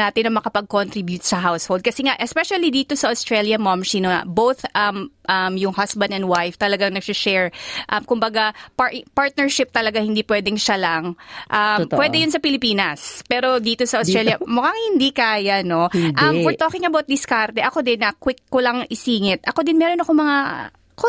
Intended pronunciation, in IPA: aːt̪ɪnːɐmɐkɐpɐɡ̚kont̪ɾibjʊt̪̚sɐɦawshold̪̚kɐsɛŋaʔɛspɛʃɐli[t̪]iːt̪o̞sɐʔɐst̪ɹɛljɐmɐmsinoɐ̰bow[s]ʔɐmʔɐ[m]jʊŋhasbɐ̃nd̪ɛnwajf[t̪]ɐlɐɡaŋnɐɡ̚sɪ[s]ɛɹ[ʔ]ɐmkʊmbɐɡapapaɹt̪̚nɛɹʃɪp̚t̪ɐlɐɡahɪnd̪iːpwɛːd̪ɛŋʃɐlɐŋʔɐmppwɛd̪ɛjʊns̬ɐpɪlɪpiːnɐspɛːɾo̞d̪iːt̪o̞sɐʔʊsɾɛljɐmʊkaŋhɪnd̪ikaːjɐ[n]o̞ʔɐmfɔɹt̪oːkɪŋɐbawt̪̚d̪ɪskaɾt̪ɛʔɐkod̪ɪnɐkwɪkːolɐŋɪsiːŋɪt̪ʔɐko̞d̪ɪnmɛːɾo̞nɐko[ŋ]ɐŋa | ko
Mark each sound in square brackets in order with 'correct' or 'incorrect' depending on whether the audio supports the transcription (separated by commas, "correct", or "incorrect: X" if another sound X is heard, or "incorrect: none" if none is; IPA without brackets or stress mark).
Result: incorrect: d̪, incorrect: θ, correct, correct, incorrect: ʃ, correct, correct, incorrect: m